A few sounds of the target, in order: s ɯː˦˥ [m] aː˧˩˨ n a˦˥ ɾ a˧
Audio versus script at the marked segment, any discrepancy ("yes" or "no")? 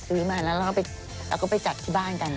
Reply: no